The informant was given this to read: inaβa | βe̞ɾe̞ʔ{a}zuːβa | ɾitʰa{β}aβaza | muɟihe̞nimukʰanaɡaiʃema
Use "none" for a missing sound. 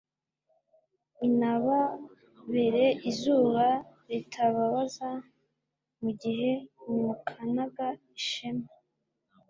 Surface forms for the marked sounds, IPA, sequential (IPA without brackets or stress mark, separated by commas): i, β